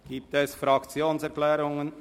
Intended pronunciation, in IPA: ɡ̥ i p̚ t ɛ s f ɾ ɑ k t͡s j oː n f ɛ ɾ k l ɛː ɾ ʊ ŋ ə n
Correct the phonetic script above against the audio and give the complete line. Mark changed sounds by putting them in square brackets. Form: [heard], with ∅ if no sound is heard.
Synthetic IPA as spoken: ɡ̥ [iː] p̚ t ɛ s f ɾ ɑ k t͡s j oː n [s] ɛ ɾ k l ɛː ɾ ʊ ŋ ə n